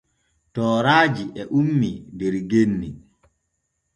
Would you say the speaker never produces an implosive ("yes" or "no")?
yes